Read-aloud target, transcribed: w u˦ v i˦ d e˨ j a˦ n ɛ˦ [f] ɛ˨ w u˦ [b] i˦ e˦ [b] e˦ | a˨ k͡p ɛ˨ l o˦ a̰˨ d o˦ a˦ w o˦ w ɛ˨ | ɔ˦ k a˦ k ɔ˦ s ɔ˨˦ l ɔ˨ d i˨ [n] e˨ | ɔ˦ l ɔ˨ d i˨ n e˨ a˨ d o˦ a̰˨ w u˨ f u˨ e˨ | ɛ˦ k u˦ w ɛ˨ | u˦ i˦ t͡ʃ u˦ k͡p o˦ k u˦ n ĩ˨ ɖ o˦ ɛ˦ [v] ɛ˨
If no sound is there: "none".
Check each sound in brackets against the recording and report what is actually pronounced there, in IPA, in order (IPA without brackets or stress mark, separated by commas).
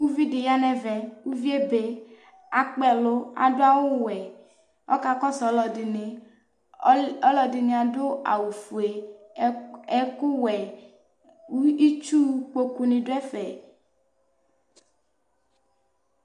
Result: v, v, b, n, f